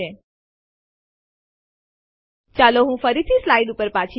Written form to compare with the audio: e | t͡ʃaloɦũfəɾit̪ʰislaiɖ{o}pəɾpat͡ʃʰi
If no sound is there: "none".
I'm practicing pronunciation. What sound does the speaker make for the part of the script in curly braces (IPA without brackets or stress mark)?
u